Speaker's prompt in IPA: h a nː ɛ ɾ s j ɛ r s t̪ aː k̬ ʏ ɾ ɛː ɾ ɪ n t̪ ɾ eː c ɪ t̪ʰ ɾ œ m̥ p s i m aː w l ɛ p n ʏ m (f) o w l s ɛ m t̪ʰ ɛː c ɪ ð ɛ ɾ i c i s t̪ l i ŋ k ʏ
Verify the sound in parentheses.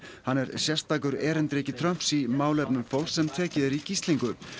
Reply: correct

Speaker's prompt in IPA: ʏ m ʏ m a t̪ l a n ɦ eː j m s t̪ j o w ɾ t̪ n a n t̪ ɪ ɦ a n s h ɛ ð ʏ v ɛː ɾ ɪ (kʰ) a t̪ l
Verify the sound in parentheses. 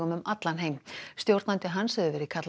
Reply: correct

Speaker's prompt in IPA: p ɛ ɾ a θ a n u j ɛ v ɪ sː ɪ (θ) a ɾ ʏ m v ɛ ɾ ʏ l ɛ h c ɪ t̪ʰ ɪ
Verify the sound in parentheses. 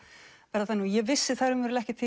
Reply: correct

